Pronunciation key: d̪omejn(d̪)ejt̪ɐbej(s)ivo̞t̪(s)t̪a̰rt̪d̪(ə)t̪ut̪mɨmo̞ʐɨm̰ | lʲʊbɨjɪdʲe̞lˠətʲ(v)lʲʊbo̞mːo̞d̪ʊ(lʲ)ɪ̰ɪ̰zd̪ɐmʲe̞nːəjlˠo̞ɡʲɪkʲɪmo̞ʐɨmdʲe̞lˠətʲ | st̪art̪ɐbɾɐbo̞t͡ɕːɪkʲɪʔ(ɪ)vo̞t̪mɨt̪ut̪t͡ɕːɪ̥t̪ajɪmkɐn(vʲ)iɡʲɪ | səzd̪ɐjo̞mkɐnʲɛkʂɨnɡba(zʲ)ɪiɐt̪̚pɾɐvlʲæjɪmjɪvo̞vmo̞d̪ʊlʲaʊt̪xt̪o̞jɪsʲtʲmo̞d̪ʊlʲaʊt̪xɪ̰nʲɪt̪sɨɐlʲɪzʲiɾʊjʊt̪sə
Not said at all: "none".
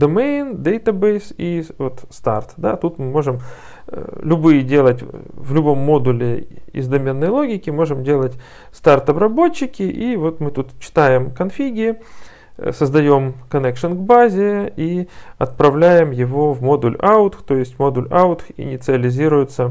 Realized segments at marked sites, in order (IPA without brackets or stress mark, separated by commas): d̪, s, s, a, v, lʲ, i, fʲ, zʲ